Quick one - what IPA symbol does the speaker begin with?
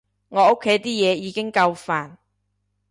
ŋ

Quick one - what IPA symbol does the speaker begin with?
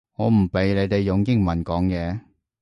ŋ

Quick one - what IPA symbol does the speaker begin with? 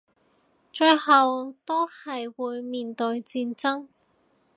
t͡ʃ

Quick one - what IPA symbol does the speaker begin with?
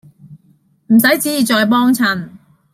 m̩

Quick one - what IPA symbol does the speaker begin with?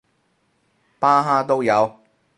p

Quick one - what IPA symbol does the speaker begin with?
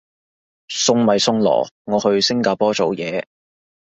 s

